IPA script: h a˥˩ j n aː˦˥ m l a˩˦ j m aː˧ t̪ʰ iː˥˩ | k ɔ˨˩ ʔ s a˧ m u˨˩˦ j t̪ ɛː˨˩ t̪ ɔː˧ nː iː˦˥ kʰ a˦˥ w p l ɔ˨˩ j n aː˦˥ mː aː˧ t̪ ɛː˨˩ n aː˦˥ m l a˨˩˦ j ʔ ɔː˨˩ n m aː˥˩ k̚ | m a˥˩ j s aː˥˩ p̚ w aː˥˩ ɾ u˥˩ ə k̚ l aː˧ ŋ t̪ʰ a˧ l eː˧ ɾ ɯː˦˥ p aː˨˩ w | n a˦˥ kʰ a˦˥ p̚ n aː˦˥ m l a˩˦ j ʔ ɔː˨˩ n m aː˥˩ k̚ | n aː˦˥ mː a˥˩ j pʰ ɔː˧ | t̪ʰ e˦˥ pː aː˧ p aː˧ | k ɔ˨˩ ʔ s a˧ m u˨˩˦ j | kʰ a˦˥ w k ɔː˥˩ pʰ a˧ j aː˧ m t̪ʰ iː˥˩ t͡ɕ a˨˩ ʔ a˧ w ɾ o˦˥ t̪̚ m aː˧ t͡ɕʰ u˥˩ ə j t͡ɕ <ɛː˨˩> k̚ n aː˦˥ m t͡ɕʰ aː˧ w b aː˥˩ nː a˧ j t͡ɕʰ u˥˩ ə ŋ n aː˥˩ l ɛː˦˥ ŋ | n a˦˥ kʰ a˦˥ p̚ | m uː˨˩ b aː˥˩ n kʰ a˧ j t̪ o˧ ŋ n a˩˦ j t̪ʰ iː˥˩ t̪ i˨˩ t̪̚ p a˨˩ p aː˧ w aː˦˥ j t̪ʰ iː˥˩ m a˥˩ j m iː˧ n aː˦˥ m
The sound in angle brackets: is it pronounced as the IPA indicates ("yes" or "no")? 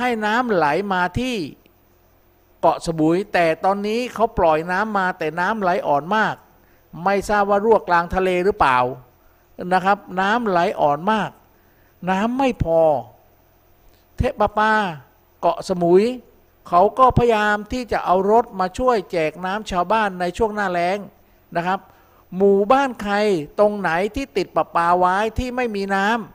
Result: yes